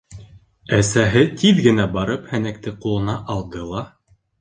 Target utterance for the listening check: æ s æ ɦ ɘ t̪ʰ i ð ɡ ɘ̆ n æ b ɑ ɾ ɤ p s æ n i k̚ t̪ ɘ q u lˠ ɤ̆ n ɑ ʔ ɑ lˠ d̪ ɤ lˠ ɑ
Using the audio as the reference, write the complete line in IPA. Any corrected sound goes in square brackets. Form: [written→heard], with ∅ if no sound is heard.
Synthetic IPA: æ s æ ɦ ɘ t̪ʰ i ð ɡ ɘ̆ n æ b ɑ ɾ ɤ p [s→h] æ n [i→æ] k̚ t̪ ɘ q u lˠ ɤ̆ n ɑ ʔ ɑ lˠ d̪ ɤ lˠ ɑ